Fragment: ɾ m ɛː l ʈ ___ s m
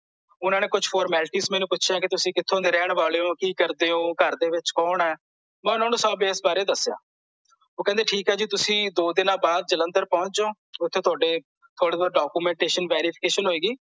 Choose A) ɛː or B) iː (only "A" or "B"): B